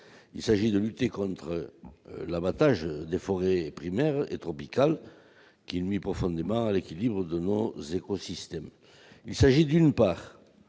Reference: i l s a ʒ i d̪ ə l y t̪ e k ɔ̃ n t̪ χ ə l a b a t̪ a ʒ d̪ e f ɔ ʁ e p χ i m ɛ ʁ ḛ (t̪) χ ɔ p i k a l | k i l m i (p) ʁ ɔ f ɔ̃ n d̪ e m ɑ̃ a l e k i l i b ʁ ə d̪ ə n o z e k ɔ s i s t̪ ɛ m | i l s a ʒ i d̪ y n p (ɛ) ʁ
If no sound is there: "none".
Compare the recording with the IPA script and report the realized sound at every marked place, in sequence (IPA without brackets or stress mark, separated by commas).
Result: t̪, p, a